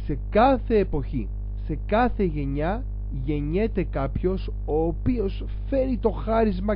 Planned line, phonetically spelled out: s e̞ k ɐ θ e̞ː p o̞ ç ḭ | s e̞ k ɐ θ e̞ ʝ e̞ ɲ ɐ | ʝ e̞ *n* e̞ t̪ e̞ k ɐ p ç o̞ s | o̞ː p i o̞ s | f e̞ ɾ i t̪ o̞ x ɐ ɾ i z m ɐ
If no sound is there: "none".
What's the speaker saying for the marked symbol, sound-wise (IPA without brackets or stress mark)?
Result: ɲ